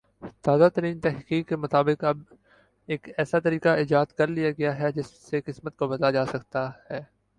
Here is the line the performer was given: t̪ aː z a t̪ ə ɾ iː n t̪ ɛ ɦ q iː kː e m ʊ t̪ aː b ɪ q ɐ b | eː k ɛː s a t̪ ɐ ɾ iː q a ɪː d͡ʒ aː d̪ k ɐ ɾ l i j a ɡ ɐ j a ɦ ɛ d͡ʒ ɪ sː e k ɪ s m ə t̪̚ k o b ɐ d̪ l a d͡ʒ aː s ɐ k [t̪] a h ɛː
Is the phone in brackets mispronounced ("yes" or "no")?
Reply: no